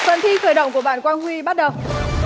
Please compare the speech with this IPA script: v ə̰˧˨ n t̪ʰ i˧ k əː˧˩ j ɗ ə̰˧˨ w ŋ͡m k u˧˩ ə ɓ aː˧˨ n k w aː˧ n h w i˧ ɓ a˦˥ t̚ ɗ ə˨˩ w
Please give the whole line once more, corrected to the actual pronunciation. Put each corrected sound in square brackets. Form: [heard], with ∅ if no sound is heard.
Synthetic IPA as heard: [f] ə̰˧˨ n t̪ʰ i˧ [x] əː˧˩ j ɗ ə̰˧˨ w ŋ͡m k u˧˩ ə ɓ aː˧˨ n k w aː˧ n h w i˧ ɓ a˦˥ t̚ ɗ ə˨˩ w